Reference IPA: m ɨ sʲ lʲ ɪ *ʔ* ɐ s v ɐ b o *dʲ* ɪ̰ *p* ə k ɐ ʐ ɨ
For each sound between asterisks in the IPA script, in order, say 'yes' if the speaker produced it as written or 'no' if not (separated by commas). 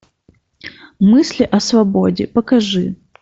yes, yes, yes